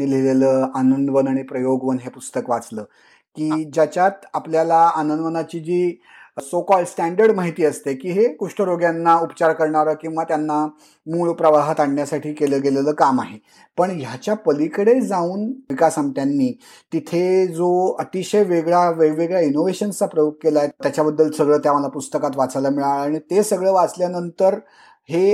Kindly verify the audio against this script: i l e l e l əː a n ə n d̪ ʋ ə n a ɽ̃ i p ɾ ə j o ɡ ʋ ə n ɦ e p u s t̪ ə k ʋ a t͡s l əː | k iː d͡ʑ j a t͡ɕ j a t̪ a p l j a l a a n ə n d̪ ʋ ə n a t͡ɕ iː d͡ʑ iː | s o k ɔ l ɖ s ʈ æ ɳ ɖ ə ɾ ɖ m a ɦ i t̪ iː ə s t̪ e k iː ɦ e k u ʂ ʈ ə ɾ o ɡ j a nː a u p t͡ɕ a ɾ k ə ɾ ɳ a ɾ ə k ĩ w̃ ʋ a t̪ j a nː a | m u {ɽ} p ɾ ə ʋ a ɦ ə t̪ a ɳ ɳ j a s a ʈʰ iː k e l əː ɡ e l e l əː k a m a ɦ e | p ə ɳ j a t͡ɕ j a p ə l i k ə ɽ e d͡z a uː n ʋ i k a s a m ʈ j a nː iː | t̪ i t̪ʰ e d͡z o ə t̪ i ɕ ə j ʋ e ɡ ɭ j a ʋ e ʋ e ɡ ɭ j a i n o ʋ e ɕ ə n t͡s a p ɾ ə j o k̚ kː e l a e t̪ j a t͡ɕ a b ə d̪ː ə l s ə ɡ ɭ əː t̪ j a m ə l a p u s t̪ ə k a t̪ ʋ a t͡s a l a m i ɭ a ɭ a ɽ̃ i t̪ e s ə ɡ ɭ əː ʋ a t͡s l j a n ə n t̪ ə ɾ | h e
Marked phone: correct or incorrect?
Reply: incorrect